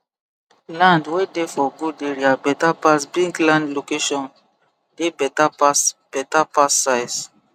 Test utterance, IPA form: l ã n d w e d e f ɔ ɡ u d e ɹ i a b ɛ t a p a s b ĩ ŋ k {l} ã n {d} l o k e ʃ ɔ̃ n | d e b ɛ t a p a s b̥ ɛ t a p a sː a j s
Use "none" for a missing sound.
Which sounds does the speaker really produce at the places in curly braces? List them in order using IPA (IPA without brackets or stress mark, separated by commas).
l, d